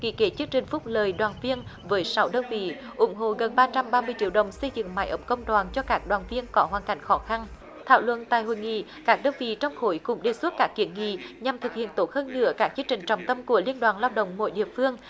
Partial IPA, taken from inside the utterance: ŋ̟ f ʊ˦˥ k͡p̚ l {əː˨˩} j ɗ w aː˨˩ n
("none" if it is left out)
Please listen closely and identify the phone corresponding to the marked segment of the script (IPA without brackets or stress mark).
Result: əː˨˩